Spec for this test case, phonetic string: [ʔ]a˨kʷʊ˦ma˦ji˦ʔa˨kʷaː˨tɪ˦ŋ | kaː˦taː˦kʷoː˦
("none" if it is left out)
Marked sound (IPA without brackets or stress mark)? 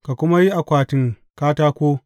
k